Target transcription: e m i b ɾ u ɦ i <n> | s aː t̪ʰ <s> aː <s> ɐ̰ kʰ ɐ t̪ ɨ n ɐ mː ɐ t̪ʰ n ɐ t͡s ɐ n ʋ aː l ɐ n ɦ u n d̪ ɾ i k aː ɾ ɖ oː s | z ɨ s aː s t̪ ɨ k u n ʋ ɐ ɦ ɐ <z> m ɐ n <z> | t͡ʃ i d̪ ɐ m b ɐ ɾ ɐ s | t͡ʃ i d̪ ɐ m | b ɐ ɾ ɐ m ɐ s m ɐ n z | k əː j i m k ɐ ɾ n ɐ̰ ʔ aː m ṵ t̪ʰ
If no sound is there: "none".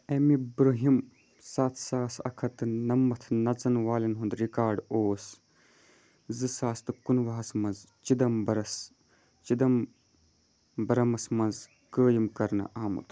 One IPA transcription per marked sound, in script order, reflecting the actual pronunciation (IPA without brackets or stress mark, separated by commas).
m, s, s, s, z